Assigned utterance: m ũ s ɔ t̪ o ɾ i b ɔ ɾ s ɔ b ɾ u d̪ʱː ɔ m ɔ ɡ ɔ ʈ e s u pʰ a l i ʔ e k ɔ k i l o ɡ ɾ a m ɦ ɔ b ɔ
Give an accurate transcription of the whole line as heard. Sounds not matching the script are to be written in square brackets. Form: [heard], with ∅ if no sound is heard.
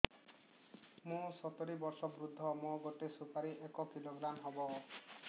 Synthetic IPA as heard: m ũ s ɔ t̪ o ɾ i b ɔ ɾ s ɔ b ɾ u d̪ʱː ɔ m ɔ ɡ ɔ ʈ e s u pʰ a [ɾ] i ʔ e k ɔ k i l o ɡ ɾ a m ɦ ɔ b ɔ

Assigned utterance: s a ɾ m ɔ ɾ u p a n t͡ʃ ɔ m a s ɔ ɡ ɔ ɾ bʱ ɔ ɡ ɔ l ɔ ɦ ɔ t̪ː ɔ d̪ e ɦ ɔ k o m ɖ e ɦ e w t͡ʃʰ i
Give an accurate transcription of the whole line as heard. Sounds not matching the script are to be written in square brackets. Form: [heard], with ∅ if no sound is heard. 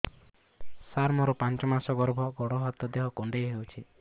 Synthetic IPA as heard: s a ɾ m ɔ ɾ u p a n t͡ʃ ɔ m a s ɔ ɡ ɔ ɾ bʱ ɔ ɡ ɔ [ɽ] ɔ ɦ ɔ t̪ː ɔ d̪ e ɦ ɔ k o [ɳ] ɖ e ɦ e w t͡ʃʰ i

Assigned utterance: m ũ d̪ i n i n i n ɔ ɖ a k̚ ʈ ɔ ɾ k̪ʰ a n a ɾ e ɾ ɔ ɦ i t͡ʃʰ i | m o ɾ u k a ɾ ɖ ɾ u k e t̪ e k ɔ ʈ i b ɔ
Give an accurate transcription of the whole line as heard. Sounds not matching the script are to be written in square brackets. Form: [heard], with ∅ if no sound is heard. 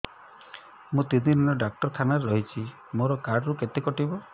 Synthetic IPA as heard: m ũ [t̪] i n i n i n ɔ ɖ a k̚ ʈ ɔ ɾ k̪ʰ a n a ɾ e ɾ ɔ ɦ i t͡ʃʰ i | m o ɾ [ɔ] k a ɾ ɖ ɾ u k e t̪ e k ɔ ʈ i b ɔ

